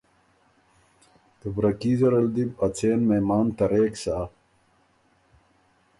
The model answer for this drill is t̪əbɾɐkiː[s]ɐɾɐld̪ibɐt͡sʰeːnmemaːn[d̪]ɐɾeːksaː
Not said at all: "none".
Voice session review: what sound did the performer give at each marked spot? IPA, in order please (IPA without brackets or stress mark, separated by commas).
z, t̪